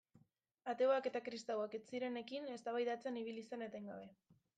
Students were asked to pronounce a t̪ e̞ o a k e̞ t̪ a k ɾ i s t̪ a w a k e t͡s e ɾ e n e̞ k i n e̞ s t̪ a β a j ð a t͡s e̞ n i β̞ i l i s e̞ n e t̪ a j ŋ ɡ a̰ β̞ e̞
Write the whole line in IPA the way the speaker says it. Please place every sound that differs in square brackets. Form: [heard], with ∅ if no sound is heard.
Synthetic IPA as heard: a t̪ e̞ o a k e̞ t̪ a k ɾ i s t̪ a w a k e t͡s [i] ɾ e n e̞ k i n e̞ s t̪ a β a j ð a t͡s e̞ n i β̞ i l i s e̞ n e t̪ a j ŋ ɡ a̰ β̞ e̞